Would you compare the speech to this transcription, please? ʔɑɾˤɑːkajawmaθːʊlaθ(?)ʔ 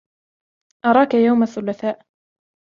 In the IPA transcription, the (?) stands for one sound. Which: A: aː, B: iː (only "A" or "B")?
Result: A